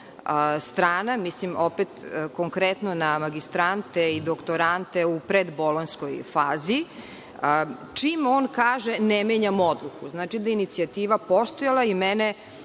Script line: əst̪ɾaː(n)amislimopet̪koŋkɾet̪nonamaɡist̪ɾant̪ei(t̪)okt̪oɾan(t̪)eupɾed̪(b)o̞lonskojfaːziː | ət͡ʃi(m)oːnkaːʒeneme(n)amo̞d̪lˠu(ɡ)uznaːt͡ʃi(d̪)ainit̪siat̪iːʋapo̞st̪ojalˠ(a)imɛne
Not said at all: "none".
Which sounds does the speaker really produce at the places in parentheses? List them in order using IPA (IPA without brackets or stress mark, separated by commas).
n, d̪, t̪, b, m, ɲ, k, d̪, a